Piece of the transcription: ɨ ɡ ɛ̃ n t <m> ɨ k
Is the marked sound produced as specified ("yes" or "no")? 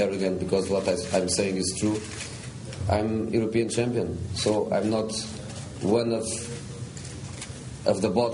no